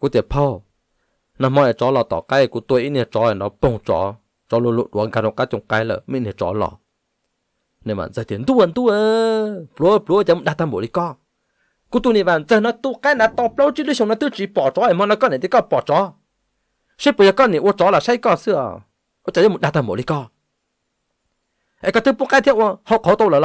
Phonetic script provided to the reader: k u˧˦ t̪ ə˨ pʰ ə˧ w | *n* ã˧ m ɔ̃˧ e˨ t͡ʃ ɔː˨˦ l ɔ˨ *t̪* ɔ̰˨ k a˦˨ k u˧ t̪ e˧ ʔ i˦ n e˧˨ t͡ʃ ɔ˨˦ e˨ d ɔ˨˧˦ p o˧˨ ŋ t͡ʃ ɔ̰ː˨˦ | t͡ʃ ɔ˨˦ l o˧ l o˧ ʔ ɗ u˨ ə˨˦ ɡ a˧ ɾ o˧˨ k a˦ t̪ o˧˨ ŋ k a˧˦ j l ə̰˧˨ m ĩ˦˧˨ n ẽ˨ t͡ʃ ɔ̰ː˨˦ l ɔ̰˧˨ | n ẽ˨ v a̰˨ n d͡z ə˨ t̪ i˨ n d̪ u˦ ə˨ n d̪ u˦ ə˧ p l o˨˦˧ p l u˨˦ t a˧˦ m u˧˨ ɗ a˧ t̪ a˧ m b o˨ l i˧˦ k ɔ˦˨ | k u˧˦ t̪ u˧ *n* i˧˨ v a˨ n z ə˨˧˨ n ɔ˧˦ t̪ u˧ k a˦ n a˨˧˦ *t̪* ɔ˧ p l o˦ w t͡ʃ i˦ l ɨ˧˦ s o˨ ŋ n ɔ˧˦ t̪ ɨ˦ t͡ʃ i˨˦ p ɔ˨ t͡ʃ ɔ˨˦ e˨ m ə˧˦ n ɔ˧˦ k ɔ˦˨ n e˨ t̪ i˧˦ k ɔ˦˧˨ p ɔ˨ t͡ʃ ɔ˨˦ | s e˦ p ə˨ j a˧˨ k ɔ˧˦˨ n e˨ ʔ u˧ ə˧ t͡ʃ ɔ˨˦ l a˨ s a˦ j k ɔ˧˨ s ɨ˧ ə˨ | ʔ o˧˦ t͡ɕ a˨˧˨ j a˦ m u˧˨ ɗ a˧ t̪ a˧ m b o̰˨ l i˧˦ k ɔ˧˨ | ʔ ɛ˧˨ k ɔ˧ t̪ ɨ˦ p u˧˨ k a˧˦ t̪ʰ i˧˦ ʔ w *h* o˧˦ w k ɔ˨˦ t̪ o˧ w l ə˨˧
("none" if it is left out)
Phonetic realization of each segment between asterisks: n, t̪, n, t̪, h

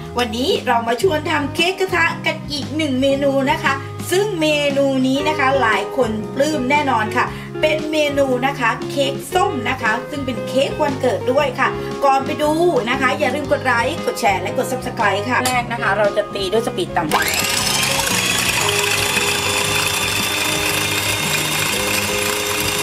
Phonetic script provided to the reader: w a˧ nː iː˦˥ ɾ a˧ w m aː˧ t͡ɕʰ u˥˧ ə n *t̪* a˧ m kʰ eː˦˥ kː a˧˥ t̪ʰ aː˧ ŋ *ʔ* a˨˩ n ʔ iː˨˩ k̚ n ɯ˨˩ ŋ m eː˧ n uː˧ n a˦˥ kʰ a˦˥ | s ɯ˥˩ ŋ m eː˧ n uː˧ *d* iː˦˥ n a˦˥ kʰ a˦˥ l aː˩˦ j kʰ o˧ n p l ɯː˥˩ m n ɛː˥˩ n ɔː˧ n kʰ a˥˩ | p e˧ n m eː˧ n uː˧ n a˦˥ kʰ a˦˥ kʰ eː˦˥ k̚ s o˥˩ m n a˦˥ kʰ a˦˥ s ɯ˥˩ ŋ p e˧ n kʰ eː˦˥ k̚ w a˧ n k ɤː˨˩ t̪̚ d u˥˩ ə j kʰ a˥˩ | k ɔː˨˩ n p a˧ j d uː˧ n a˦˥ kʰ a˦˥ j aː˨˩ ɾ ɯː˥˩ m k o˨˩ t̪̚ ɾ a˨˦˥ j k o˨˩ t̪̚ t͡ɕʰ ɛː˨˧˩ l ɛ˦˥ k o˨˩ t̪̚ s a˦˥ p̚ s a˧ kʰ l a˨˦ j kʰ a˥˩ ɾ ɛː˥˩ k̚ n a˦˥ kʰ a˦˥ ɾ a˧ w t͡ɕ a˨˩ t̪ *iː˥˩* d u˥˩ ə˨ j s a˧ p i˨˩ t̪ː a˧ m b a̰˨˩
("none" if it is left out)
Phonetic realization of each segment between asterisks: t̪ʰ, k, n, iː˧

